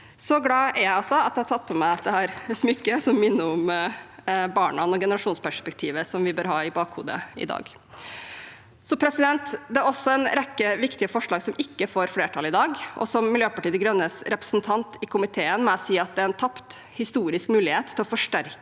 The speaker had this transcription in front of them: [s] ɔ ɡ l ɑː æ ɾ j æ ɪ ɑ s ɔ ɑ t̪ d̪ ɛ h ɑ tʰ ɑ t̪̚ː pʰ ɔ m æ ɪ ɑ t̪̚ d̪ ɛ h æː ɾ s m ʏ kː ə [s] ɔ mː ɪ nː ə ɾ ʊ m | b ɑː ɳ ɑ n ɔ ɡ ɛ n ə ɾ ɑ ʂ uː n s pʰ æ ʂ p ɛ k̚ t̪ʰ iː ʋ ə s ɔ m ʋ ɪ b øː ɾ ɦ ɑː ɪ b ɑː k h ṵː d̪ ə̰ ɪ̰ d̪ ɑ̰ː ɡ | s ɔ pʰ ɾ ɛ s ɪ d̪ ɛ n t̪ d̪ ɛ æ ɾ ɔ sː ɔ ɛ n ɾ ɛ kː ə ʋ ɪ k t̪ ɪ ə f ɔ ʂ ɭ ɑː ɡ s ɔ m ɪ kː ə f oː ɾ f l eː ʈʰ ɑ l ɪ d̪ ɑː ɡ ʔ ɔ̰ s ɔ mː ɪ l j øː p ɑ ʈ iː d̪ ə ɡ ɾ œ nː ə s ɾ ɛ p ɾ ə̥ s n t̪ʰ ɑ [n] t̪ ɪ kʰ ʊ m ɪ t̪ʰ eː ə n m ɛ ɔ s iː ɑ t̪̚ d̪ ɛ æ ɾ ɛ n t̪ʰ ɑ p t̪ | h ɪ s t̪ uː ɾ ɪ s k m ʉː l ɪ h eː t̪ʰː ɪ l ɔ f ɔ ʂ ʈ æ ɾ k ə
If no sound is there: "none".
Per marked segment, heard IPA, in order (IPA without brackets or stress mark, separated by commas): s, s, n